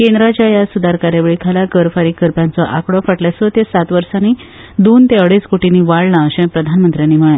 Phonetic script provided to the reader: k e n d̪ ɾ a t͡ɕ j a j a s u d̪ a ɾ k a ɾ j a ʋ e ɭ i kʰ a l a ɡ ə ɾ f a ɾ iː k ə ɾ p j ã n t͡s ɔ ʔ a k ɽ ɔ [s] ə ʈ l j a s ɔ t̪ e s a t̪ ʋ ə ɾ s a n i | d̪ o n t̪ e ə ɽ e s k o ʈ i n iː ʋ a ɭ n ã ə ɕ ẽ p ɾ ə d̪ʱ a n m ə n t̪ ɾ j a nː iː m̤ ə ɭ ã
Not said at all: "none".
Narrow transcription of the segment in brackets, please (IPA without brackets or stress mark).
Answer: f